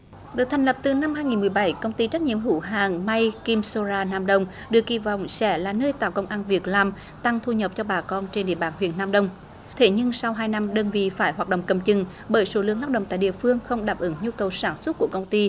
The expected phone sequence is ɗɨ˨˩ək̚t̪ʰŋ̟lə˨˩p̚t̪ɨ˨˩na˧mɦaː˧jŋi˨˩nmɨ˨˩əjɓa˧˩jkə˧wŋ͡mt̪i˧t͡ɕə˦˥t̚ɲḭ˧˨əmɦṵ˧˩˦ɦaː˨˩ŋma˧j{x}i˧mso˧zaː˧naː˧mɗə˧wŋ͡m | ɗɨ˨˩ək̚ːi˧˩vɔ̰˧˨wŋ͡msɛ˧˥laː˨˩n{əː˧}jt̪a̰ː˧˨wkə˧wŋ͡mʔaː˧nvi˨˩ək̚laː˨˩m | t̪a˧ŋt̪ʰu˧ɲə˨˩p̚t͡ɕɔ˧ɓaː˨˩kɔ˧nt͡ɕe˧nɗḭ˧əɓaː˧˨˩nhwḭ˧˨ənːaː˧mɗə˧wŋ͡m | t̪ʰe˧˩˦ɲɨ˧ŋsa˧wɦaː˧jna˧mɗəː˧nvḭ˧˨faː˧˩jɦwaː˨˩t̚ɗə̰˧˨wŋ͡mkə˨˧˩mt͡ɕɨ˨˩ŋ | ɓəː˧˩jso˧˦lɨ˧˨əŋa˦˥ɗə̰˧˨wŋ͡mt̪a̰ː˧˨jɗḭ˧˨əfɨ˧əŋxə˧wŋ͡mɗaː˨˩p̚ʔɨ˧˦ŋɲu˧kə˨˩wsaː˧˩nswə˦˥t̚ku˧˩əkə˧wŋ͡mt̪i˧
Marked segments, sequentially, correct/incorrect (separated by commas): incorrect, correct